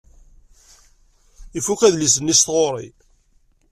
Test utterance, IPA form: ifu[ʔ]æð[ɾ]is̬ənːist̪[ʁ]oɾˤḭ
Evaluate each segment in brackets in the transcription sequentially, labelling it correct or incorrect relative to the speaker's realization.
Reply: incorrect: k, incorrect: l, correct

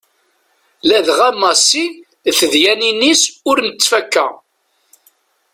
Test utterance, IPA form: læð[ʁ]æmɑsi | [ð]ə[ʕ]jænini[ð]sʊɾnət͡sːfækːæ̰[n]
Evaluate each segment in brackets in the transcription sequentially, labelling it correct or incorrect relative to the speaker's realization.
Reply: correct, incorrect: θ, incorrect: ð, incorrect: none, incorrect: none

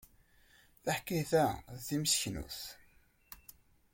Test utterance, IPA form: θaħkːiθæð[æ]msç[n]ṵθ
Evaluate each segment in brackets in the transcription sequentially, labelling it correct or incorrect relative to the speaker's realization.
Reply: incorrect: i, correct

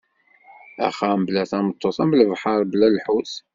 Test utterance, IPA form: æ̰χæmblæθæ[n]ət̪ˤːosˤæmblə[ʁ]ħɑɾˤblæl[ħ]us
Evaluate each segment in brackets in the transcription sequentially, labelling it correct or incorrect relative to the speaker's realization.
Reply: incorrect: m, incorrect: v, correct

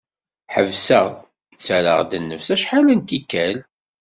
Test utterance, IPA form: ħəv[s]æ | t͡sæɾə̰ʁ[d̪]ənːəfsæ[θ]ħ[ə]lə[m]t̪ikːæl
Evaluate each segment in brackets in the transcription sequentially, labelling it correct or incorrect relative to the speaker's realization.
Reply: correct, correct, incorrect: ʃ, incorrect: a, incorrect: n

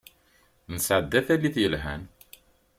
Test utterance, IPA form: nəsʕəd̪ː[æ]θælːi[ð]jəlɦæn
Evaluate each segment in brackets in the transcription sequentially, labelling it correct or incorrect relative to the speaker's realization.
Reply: correct, incorrect: θ

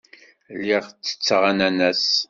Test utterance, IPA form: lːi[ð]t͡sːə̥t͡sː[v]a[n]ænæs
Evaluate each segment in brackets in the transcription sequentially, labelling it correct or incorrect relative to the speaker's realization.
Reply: incorrect: ʁ, incorrect: ʁ, correct

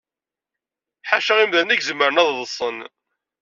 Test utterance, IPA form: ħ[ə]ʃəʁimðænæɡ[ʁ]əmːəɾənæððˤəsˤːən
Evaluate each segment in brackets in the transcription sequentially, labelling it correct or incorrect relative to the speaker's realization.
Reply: incorrect: a, incorrect: z

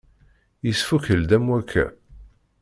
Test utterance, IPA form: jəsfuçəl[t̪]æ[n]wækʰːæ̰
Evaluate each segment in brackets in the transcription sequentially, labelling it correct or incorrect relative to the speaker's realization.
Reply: incorrect: d̪, incorrect: m

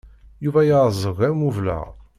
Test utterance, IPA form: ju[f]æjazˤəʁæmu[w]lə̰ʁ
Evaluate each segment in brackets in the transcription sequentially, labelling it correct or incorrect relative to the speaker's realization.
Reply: incorrect: v, incorrect: v

